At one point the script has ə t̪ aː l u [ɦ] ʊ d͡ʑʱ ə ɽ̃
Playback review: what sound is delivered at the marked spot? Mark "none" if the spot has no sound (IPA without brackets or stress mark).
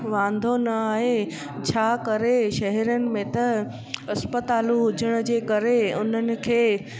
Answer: ɦ